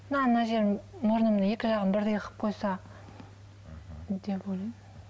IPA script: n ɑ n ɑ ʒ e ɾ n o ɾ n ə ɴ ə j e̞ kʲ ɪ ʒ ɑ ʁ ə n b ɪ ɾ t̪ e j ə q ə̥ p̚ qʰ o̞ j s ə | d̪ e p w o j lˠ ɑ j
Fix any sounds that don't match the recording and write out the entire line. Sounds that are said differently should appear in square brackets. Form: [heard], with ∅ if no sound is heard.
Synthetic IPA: n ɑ n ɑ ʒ e ɾ [m] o ɾ n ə [m] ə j e̞ kʲ ɪ ʒ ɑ ʁ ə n b ɪ ɾ [d̪] e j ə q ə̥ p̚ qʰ o̞ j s [ɑ] | d̪ e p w o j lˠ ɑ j